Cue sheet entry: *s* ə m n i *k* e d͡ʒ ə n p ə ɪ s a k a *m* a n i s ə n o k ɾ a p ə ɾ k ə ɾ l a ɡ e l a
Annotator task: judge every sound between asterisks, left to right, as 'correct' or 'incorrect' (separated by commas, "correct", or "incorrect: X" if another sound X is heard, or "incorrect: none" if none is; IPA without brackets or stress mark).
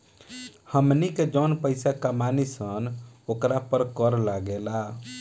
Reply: incorrect: h, correct, correct